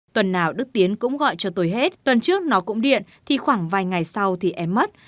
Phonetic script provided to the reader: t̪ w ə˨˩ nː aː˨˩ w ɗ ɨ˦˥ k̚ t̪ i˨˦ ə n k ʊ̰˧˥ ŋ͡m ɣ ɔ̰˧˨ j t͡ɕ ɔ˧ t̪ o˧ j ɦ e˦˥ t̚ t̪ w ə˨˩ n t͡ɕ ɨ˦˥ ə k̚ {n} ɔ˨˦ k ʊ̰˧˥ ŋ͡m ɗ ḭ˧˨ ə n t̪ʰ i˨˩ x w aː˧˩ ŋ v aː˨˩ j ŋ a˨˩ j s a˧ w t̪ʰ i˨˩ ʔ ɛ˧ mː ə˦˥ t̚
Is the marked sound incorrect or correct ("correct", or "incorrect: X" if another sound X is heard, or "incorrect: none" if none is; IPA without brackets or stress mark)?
correct